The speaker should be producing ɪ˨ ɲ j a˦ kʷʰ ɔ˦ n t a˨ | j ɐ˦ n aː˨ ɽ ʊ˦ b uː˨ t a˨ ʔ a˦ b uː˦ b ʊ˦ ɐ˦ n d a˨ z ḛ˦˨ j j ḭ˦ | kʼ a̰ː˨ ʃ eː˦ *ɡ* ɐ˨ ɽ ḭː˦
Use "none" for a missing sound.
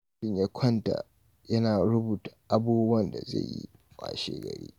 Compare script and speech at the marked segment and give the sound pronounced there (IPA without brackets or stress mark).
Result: ɡ